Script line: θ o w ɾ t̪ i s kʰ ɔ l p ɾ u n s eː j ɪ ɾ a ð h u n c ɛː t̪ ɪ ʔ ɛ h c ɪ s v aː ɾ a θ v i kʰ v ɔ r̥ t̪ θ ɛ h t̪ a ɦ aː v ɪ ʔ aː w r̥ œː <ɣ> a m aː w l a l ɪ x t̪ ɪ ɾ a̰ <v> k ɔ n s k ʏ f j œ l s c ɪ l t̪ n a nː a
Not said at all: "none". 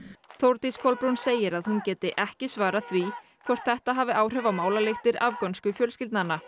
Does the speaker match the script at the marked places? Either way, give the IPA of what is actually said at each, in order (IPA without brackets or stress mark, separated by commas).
v, v